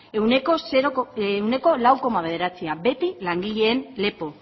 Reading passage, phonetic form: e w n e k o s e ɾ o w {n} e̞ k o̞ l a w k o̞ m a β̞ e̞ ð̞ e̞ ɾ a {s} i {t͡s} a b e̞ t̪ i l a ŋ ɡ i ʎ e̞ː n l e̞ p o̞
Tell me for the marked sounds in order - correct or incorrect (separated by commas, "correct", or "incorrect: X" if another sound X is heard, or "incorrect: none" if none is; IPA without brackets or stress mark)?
correct, incorrect: t͡s, incorrect: none